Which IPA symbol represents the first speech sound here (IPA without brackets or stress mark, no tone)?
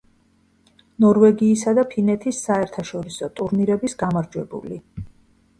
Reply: n